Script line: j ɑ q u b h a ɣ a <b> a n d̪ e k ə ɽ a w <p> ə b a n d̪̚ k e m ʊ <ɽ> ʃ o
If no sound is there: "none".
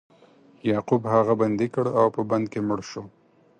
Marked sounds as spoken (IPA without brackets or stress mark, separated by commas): b, p, ɽ